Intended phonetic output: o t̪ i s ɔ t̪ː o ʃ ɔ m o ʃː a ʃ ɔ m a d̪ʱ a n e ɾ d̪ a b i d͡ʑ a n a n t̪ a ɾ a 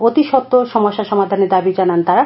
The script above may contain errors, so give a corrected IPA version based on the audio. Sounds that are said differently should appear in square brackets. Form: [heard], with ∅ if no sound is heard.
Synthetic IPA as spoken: o t̪ i [ʃ] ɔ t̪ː o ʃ ɔ m o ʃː a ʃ ɔ m a d̪ʱ a n e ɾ d̪ a b i d͡ʑ a n a n t̪ a ɾ a